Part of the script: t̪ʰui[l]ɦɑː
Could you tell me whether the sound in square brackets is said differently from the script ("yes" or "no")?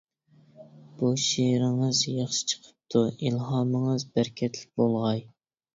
no